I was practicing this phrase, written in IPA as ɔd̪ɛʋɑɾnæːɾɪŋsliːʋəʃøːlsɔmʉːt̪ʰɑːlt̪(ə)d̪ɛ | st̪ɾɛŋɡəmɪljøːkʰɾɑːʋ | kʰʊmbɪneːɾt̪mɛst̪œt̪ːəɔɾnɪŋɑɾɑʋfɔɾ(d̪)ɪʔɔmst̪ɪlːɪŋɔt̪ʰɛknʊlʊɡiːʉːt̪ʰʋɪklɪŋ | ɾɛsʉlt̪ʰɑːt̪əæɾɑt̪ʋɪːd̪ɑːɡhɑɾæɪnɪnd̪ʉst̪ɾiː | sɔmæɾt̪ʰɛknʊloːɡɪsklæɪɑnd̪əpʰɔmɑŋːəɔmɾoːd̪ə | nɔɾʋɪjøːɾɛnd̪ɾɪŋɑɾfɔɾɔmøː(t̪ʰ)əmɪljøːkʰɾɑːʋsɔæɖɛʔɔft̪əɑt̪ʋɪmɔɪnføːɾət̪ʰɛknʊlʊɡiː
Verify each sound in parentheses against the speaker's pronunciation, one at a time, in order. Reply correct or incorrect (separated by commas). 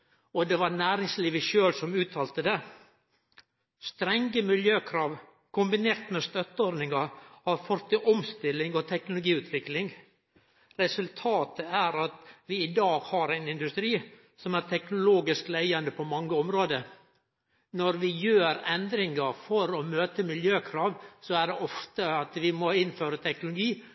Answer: correct, incorrect, incorrect